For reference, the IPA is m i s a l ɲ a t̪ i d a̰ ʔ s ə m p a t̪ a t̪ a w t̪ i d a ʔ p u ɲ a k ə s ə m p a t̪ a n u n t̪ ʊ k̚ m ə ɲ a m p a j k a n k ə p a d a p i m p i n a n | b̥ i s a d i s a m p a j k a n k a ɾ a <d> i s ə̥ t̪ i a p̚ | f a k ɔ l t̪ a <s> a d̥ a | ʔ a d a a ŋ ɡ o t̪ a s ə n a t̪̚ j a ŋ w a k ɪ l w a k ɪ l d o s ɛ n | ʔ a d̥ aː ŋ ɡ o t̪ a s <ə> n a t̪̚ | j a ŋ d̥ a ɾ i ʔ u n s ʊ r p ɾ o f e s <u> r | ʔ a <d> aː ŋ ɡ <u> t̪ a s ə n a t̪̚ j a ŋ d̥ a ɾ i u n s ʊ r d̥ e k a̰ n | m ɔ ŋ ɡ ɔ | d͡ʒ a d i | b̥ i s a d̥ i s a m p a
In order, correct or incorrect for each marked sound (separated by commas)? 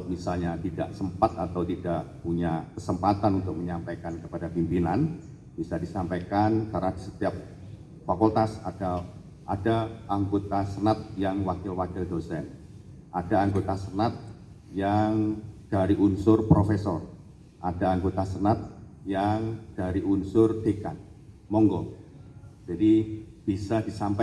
correct, correct, correct, incorrect, correct, incorrect